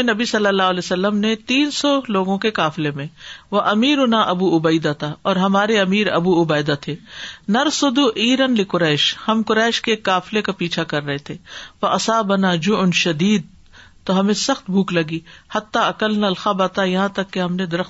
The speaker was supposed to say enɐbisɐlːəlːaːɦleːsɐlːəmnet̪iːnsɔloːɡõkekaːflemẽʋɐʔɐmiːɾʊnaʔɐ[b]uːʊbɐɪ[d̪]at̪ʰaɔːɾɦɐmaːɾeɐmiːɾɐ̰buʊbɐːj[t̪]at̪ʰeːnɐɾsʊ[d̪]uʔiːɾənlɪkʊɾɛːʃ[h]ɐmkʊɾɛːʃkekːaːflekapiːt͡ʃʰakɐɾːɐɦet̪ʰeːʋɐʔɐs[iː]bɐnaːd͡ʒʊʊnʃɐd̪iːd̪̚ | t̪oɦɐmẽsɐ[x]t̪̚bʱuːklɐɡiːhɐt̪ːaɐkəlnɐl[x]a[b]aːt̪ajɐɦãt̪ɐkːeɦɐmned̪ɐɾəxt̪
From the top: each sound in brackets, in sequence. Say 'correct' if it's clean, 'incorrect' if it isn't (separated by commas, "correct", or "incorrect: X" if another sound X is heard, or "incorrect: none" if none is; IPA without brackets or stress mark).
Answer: correct, correct, incorrect: d̪, correct, correct, incorrect: aː, correct, correct, correct